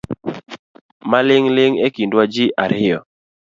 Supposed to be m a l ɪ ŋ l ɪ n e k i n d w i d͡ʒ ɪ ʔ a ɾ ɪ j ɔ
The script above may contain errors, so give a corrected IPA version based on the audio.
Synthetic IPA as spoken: m a l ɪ ŋ l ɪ ŋ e k i n d w a d͡ʒ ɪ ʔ a ɾ ɪ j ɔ